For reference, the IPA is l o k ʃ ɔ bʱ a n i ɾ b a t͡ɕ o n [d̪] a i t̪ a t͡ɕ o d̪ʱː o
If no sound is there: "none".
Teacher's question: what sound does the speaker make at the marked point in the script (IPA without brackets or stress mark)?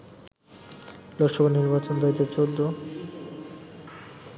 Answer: d̪